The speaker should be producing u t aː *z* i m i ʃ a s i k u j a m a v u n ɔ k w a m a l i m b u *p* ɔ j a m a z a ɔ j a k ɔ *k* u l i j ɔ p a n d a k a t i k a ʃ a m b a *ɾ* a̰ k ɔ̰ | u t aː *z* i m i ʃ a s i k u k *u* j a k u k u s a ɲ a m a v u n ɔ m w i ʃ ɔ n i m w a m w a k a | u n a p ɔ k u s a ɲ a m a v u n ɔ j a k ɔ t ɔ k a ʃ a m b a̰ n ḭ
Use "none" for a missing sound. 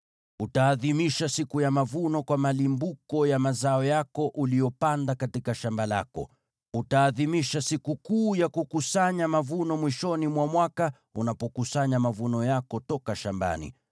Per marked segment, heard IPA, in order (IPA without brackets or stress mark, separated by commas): ð, k, ʔ, l, ð, uː